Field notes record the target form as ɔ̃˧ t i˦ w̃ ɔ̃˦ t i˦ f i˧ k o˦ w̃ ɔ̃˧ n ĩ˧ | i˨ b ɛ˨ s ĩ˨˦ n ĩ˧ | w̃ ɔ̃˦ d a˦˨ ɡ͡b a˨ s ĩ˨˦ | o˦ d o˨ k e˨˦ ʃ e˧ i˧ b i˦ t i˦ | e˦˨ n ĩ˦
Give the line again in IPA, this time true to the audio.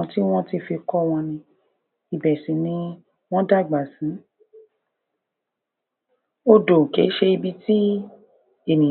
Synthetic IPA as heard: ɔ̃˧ t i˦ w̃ ɔ̃˦ t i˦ f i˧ k ɔ˦ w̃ ɔ̃˧ n ĩ˧ | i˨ b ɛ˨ s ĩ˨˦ n ĩ˧ | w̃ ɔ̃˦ d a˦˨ ɡ͡b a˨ s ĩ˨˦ | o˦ d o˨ k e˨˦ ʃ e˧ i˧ b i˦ t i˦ | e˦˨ n ĩ˨

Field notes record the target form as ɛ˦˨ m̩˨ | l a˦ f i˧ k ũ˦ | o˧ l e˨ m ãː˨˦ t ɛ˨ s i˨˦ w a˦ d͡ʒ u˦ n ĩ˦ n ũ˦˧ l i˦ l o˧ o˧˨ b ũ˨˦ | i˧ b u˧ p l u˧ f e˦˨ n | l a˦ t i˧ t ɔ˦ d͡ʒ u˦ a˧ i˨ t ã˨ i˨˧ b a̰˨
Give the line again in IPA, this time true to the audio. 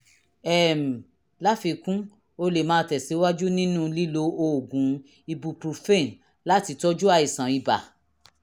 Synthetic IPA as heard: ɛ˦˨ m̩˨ | l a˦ f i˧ k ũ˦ | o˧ l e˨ m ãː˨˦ t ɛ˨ s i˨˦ w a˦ d͡ʒ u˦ n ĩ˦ n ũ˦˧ l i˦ l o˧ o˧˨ ɡ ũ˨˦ | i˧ b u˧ p ɾ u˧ f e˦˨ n | l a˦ t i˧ t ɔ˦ d͡ʒ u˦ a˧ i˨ s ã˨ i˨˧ b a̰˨

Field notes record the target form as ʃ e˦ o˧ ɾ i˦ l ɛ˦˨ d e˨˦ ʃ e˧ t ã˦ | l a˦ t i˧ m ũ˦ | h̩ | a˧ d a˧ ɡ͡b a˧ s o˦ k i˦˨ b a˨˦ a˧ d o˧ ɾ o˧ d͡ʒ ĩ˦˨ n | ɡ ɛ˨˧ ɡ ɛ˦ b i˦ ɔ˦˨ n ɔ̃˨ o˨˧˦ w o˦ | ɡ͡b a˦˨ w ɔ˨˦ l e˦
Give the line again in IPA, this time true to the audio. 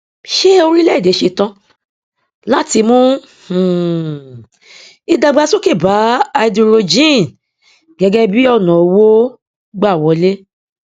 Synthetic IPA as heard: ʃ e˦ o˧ ɾ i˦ l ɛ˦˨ d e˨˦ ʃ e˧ t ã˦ | l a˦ t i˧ m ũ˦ | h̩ | i˧ d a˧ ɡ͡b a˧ s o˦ k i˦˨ b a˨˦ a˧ d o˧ ɾ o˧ d͡ʒ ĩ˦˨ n | ɡ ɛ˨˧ ɡ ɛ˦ b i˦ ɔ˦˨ n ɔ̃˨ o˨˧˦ w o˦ | ɡ͡b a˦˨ w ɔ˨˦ l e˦

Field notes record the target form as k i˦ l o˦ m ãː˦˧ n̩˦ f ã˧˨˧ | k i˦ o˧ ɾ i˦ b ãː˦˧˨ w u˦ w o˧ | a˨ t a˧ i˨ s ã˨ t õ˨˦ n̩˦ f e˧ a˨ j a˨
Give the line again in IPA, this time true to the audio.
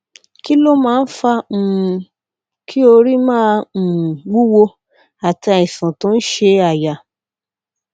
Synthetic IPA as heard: k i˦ l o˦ m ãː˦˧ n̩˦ f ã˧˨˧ | k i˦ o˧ ɾ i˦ m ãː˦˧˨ w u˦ w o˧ | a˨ t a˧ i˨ s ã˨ t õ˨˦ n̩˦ ʃ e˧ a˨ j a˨

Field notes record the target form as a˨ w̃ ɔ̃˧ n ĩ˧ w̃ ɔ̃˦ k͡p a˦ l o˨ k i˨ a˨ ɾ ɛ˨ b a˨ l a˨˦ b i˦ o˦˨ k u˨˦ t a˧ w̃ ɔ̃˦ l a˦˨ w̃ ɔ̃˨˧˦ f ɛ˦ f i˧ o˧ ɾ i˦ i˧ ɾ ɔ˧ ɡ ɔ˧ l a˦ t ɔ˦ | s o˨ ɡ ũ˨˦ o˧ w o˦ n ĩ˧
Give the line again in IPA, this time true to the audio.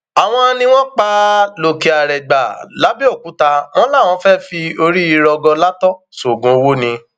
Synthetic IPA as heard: a˨ w̃ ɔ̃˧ n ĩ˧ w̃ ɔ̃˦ k͡p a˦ l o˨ k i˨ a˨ ɾ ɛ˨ ɡ͡b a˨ l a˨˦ b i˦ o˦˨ k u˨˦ t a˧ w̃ ɔ̃˦ l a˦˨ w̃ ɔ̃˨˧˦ f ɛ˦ f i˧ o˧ ɾ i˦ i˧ ɾ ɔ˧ ɡ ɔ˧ l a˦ t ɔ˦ | s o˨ ɡ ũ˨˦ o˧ w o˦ n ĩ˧

